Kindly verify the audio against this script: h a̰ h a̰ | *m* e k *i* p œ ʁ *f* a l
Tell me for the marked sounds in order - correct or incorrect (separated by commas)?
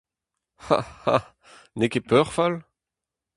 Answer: incorrect, incorrect, correct